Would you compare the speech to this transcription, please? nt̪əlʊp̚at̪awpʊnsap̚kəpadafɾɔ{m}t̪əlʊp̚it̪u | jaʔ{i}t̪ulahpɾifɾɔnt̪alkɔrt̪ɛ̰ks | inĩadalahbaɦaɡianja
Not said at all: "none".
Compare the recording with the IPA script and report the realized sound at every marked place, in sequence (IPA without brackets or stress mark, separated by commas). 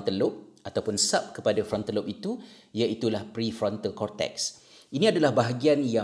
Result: n, i